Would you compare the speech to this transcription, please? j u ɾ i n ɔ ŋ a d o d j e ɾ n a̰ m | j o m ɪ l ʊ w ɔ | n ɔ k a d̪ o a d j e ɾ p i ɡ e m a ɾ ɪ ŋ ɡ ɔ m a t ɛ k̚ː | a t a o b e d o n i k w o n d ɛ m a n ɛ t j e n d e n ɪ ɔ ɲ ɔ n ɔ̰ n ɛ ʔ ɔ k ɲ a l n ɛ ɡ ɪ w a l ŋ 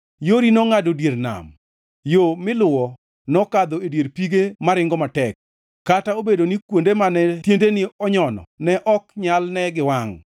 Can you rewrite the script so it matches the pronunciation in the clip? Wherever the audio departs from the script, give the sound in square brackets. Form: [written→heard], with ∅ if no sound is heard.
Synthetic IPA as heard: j [u→o] ɾ i n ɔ ŋ a d o d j e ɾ n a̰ m | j o m ɪ l ʊ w ɔ | n ɔ k a d̪ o [a→e] d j e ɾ p i ɡ e m a ɾ ɪ ŋ ɡ ɔ m a t ɛ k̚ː | a t a o b e d o n i k w o n d [ɛ→e] m a n ɛ t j e n d e n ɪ ɔ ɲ ɔ n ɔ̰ n ɛ ʔ ɔ k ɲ a l n ɛ ɡ ɪ w a [l→∅] ŋ